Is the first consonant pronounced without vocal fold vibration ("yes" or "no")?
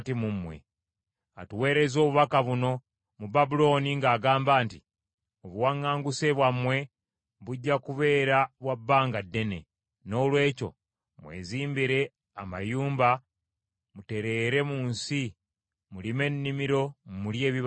yes